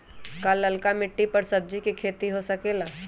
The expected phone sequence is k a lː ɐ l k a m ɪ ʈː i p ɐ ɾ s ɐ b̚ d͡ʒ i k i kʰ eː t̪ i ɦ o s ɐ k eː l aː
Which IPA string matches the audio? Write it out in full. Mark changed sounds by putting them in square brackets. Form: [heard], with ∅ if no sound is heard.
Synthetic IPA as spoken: k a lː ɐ l k a m ɪ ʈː i p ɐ ɾ s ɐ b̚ d͡ʒ i k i kʰ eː t̪ i ɦ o s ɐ k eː l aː